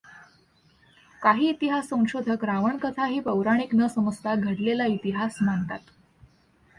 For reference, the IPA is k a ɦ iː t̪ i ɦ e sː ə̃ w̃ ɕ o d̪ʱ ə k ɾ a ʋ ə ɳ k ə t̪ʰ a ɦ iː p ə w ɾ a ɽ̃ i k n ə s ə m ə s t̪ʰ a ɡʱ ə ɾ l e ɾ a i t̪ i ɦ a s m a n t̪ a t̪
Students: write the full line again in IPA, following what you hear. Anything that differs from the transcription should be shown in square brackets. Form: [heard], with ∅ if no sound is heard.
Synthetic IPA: k a ɦ iː t̪ i ɦ [a] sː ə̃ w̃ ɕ o d̪ʱ ə k ɾ a ʋ ə ɳ k ə t̪ʰ a ɦ iː p ə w ɾ a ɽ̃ i k n ə s ə m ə s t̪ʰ a ɡʱ ə [ɽ] l e [l] a i t̪ i ɦ a s m a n t̪ a t̪